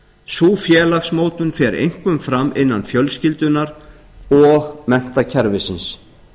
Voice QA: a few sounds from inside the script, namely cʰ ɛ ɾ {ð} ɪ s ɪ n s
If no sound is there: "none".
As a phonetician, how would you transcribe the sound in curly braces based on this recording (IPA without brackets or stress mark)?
v